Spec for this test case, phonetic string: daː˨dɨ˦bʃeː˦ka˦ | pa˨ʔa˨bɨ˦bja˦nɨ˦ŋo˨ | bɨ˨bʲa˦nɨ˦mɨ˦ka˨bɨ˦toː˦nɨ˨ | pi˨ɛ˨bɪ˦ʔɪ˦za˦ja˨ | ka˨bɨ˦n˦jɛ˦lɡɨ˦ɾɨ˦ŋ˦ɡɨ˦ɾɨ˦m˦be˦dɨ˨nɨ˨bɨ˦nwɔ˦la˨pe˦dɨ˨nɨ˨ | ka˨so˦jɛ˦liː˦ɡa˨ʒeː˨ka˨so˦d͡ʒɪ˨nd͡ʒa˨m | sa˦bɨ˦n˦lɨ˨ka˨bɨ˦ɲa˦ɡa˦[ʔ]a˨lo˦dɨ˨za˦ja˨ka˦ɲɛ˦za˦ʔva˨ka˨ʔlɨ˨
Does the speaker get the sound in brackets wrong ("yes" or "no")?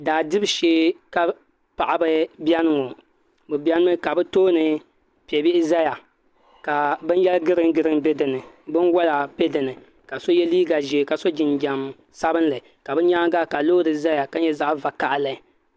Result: yes